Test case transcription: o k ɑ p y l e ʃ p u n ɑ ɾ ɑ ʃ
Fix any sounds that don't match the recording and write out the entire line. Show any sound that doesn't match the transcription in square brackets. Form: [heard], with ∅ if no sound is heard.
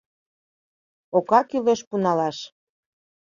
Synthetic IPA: o k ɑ [k] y l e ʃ p u n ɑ [l] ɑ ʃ